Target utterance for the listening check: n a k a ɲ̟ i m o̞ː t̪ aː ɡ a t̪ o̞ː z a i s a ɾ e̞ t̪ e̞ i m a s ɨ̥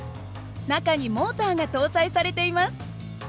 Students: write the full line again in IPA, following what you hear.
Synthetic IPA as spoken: n a k a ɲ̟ i m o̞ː t̪ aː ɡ a t̪ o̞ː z a i s a ɾ e̞ t̪ e̞ i m a s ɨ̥